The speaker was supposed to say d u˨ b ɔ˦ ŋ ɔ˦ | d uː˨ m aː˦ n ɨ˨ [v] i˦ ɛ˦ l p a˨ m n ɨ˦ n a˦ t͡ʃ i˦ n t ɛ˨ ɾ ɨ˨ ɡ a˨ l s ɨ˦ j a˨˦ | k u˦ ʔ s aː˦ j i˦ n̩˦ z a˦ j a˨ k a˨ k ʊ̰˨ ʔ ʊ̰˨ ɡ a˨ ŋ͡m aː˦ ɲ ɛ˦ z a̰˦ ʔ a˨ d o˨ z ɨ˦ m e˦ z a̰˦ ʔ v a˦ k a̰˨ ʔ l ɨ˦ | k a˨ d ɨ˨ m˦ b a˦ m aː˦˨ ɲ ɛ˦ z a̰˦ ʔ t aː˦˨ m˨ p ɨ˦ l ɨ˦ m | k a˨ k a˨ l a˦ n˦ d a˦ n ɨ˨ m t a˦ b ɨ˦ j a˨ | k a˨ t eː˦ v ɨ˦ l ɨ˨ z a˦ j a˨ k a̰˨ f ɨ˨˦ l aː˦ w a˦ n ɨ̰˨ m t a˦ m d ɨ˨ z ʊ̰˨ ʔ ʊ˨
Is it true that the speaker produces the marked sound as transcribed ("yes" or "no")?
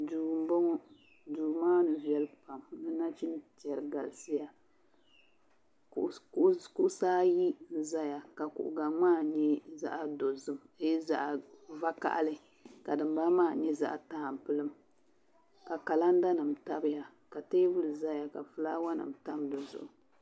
yes